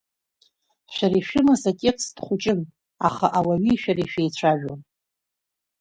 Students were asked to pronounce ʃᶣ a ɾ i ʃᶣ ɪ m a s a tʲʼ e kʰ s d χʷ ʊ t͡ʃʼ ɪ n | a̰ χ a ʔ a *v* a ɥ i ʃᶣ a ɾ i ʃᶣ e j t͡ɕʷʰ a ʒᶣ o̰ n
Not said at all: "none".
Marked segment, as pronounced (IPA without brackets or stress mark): w